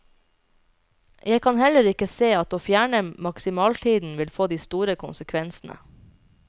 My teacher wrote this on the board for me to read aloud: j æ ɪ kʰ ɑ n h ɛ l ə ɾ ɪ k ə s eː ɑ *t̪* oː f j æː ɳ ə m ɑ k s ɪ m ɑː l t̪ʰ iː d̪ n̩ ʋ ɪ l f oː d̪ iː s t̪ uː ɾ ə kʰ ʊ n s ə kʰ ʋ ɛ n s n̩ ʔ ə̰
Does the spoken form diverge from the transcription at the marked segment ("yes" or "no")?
no